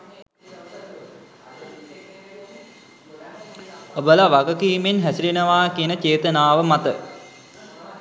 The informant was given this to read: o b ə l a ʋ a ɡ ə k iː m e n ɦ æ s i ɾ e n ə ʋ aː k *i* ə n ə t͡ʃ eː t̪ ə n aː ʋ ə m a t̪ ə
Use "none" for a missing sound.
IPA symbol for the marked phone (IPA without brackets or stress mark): i